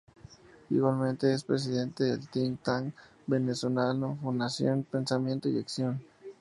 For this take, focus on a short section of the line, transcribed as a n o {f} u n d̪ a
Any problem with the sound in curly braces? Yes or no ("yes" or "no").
no